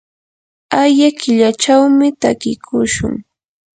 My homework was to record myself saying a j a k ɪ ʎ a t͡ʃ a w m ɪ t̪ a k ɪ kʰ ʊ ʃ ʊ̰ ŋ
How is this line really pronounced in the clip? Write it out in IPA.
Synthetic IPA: a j a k ɪ ʎ a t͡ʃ a w m ɪ t̪ a k ɪ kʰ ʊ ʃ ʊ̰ ŋ

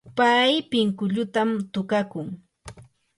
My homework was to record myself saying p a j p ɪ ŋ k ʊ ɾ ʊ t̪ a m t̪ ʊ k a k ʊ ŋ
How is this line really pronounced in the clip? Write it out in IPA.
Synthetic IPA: p a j p ɪ ŋ k ʊ ʎ ʊ t̪ a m t̪ ʊ k a k ʊ ŋ

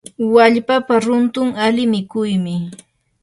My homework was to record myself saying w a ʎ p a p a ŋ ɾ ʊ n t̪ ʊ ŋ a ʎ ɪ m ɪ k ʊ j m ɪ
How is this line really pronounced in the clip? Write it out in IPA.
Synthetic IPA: w a ʎ p a p a ɾ ʊ n t̪ ʊ ŋ a l ɪ m ɪ k ʊ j m ɪ

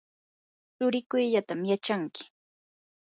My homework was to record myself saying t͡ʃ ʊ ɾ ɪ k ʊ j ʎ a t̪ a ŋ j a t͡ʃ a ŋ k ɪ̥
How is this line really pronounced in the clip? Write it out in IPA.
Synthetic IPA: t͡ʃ ʊ ɾ ɪ k ʊ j ʎ a t̪ a m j a t͡ʃ a ŋ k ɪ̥

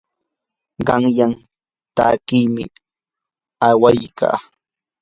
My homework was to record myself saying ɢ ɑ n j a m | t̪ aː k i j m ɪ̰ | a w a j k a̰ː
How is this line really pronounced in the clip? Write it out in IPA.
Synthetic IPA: ɢ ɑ ŋ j a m | t̪ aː k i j m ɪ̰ | a w a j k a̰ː

